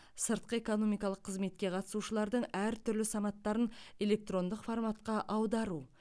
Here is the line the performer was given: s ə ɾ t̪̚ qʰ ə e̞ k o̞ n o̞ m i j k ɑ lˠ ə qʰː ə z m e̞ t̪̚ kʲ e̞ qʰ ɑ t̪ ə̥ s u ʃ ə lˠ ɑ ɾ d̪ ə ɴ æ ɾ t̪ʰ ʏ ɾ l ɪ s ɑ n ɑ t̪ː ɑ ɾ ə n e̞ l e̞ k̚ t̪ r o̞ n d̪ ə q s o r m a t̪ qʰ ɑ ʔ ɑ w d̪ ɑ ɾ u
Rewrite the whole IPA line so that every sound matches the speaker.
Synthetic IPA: s ə ɾ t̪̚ q ə e̞ k o̞ n o̞ m i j k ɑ lˠ ə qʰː ə z m e̞ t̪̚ kʲ e̞ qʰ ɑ t̪ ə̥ s u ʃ ə lˠ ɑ ɾ d̪ ə ɴ æ ɾ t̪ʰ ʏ ɾ l ɪ s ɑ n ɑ t̪ː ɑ ɾ ə n e̞ l e̞ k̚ t̪ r o̞ n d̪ ə q f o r m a t̪ q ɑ ʔ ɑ w d̪ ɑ ɾ u